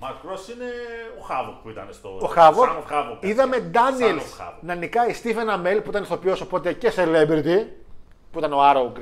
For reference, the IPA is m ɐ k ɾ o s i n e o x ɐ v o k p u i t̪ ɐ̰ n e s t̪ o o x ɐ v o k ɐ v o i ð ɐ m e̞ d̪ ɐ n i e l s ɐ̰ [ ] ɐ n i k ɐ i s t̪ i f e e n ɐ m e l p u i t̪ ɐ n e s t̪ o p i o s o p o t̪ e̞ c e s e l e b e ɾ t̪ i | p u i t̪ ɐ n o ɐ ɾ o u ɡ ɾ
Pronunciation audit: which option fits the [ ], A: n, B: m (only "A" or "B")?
A